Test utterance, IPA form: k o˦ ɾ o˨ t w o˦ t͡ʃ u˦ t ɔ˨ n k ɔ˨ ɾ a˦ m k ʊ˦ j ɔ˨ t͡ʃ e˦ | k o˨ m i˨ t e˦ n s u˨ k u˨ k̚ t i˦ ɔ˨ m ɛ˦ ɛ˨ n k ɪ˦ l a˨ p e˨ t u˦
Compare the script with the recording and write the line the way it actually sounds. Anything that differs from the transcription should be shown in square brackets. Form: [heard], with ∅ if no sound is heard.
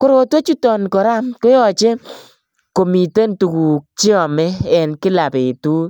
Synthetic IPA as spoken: k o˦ ɾ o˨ t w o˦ t͡ʃ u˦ t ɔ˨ n k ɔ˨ ɾ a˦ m k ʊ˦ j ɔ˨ t͡ʃ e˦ | k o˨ m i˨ t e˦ n [t] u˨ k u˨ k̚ [t͡ʃ] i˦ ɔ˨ m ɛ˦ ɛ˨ n k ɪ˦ l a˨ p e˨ t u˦